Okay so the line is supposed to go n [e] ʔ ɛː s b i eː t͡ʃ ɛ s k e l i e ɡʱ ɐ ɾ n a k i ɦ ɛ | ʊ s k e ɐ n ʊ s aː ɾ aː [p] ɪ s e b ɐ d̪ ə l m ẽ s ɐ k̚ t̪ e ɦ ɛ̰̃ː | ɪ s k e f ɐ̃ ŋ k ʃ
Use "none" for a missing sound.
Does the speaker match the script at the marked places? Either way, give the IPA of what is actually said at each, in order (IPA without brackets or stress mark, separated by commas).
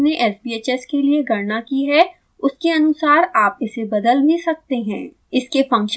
e, p